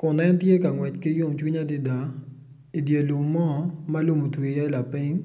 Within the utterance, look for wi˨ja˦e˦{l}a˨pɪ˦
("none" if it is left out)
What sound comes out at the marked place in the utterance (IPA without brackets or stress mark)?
l